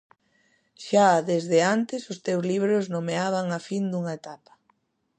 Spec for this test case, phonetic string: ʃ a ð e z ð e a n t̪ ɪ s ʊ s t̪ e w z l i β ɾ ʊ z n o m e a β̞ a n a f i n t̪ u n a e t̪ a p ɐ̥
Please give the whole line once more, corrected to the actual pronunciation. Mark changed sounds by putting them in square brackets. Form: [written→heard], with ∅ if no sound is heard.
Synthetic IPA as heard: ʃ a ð e z ð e a n t̪ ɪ s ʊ s t̪ e w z l i β ɾ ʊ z n o m e a β̞ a [n→ŋ] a f i n [t̪→d̪] u [n→ŋ] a e t̪ a p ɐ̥